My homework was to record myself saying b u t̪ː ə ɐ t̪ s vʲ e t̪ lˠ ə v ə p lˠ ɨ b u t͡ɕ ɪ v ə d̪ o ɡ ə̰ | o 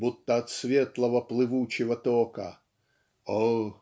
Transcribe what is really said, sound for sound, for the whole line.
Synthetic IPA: b u t̪ː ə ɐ t̪ s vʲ e t̪ lˠ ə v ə p lˠ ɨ v u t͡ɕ ɪ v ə t̪ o k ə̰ | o